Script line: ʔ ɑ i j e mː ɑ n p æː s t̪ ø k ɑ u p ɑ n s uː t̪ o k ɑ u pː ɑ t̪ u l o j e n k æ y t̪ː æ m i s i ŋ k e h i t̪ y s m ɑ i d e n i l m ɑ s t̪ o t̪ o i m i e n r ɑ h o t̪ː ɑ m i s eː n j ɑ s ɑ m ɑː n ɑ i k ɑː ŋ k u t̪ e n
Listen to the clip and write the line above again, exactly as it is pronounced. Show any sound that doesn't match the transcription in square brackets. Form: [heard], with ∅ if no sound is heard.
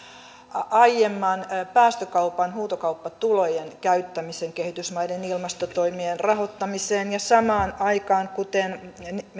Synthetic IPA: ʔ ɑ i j e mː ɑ n p æː s t̪ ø k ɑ u p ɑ n [h] uː t̪ o k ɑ u pː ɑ t̪ u l o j e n k æ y t̪ː æ m i s [e] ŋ k e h i t̪ y s m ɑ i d e n i l m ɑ s t̪ o t̪ o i m i e n r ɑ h o t̪ː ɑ m i s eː n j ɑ s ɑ m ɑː n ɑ i k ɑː ŋ k u t̪ e n